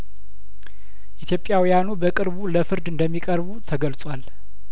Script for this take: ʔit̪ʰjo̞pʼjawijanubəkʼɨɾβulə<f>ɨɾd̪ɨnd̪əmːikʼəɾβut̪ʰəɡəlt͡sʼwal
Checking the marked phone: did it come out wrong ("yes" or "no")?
no